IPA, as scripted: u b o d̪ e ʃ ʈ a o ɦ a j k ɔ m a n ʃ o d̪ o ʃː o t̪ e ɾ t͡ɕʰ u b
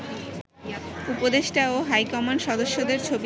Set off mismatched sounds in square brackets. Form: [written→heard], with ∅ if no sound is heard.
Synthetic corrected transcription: u [b→p] o d̪ e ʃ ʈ a o ɦ a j k ɔ m a n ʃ [o→ɔ] d̪ o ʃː o [t̪→d̪] e ɾ t͡ɕʰ [u→o] b